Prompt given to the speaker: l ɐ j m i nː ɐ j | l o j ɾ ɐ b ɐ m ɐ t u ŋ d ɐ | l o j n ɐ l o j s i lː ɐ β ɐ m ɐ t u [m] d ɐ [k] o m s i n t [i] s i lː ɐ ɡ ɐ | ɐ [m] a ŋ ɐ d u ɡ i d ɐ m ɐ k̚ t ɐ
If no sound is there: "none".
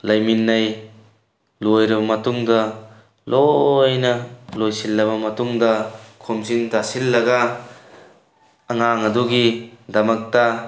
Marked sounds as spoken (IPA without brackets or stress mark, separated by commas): ŋ, kʰ, a, ŋ